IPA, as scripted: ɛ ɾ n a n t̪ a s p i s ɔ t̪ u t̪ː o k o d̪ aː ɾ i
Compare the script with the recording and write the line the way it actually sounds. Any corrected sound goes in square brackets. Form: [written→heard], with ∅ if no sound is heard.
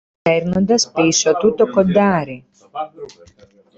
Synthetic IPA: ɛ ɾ n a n [t̪→d̪] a s p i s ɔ t̪ u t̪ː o k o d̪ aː ɾ i